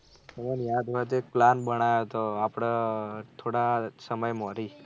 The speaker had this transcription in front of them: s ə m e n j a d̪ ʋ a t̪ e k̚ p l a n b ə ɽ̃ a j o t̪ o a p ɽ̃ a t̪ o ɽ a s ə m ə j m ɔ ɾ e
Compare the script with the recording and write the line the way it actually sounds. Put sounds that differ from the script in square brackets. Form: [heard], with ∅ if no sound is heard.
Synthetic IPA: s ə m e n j a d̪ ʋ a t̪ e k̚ p l a n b ə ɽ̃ a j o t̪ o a p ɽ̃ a [t̪ʰ] o ɽ a s ə m ə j m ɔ ɾ [i]